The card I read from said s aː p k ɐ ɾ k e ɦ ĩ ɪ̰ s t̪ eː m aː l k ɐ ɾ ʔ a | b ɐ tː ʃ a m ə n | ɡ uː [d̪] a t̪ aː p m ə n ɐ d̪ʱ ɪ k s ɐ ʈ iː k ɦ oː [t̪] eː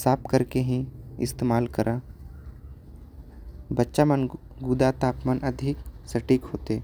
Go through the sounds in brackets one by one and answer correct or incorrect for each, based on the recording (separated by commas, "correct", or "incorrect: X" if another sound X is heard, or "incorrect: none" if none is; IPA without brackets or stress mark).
correct, correct